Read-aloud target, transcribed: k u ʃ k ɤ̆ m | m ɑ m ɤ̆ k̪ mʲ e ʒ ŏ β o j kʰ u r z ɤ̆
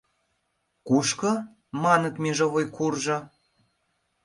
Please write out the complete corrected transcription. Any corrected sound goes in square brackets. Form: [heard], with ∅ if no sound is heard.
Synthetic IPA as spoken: k u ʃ k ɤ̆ [∅] | m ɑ [n] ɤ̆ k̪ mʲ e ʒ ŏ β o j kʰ u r [ʒ] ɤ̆

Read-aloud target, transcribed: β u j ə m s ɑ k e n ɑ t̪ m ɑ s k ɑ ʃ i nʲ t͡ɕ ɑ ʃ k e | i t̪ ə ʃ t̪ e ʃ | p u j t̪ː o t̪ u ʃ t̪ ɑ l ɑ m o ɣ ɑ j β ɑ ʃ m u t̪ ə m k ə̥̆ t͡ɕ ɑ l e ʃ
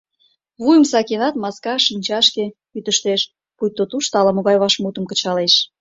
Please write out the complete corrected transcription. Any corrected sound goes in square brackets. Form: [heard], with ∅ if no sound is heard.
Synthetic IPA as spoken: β u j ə m s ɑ k e n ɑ t̪ m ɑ s k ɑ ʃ i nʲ t͡ɕ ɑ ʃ k e | [y] t̪ ə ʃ t̪ e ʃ | p u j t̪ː o t̪ u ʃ t̪ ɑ l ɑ m o ɣ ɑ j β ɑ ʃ m u t̪ ə m k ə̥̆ t͡ɕ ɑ l e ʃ

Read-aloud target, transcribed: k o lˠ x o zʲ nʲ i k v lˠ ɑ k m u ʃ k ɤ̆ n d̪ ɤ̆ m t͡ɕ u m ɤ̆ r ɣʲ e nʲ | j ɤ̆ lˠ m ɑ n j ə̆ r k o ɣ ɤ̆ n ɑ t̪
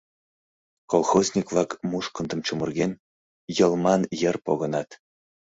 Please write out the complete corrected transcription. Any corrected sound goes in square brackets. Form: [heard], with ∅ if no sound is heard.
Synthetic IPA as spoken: k o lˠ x o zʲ nʲ i k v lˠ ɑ k m u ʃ k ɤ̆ n d̪ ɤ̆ m t͡ɕ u m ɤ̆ r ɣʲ e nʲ | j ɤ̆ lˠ m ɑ n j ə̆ r [p] o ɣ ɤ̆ n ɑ t̪

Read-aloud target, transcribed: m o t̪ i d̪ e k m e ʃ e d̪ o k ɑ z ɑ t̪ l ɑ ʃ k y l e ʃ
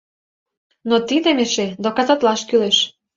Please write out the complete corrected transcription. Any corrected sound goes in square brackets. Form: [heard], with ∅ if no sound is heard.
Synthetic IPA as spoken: [n] o t̪ i d̪ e [∅] m e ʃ e d̪ o k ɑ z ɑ t̪ l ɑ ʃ k y l e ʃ

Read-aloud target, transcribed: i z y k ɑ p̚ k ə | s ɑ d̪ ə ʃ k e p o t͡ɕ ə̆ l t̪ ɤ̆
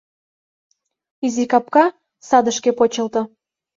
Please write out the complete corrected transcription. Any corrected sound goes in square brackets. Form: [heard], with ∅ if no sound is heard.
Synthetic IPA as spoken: i z [i] k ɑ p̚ k [ɑ] | s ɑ d̪ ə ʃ k e p o t͡ɕ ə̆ l t̪ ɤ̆

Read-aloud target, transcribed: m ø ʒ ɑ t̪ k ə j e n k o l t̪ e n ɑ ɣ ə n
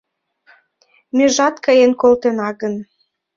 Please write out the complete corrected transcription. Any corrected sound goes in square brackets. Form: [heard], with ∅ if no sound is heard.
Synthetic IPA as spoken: m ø ʒ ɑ t̪ k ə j e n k o l t̪ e n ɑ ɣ ə n

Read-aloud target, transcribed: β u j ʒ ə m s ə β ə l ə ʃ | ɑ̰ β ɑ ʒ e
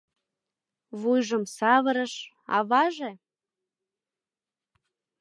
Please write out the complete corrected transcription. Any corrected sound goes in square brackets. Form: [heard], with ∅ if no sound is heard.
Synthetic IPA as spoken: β u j ʒ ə m s [ɑ] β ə [ɾ] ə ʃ | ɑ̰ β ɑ ʒ e

